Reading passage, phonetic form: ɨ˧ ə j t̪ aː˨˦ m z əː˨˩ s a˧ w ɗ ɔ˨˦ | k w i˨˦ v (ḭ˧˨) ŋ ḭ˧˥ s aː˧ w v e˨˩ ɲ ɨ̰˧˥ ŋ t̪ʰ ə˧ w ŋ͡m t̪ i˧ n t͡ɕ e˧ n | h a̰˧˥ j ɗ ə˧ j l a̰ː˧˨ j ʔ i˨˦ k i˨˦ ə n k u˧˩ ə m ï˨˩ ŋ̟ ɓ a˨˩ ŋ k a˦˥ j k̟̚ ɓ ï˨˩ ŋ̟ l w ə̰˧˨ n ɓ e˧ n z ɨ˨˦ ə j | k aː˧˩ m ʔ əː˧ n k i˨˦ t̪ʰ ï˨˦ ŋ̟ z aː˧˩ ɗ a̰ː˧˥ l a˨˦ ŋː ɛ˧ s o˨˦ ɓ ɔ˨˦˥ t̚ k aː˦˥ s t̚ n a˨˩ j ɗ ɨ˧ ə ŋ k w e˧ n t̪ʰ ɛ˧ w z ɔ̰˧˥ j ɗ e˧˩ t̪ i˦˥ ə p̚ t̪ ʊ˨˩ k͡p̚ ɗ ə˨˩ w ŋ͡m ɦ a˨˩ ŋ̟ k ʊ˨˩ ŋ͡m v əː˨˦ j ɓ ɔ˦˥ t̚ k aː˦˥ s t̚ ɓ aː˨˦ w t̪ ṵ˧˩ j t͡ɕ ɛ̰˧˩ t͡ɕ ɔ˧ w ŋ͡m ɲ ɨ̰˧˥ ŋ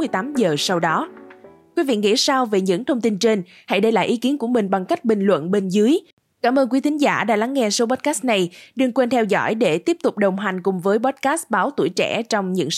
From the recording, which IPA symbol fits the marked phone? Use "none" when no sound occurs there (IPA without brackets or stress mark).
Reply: ḭ˧˨